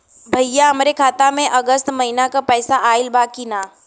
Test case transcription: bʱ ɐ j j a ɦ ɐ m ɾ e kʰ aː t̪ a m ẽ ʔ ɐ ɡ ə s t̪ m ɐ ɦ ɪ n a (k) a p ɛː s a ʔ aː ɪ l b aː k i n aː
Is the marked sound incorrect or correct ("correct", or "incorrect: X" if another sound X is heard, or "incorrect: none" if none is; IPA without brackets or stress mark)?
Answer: correct